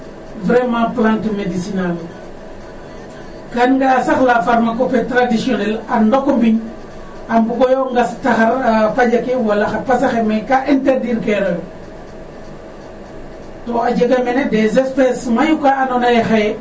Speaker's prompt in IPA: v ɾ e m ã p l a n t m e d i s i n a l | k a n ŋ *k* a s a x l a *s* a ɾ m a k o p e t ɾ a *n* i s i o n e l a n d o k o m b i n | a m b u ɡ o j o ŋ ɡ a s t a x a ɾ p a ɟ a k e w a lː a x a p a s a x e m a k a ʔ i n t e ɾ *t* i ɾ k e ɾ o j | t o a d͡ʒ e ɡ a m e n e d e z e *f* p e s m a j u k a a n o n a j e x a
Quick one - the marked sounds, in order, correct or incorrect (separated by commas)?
incorrect, incorrect, incorrect, incorrect, incorrect